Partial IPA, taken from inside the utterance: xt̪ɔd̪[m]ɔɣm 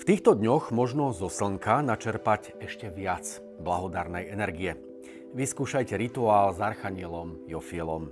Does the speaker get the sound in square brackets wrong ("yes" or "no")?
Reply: yes